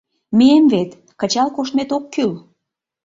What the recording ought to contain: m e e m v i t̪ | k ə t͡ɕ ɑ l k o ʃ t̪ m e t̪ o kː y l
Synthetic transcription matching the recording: m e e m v e t̪ | k ə t͡ɕ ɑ l k o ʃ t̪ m e t̪ o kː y l